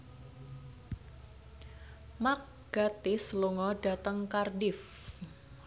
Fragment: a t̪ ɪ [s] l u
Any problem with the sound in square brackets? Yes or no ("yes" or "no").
no